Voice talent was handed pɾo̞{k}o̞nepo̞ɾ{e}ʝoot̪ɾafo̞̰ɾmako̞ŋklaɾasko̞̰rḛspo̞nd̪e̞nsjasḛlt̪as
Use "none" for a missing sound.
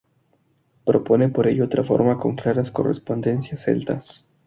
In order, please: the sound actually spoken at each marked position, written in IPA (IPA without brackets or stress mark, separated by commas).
p, e